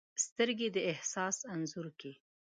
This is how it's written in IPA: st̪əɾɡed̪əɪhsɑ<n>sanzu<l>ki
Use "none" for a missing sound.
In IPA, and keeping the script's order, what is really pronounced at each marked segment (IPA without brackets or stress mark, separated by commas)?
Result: none, ɾ